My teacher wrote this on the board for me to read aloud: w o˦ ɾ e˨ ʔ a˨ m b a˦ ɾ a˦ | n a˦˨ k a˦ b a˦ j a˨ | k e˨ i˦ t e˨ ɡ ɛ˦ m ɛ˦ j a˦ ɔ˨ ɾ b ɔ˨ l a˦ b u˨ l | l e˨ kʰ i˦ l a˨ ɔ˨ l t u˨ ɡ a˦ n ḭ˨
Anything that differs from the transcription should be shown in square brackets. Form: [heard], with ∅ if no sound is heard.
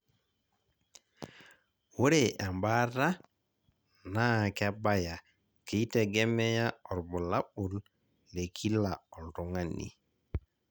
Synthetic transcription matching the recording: w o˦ ɾ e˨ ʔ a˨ m b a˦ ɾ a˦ | n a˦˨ k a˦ b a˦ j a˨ | k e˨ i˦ t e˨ ɡ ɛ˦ m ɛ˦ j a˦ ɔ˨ ɾ b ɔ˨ l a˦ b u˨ l | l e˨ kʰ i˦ l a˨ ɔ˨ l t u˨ [ŋ] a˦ n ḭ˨